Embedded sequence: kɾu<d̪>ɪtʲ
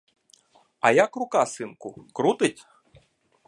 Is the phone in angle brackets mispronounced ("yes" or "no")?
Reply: yes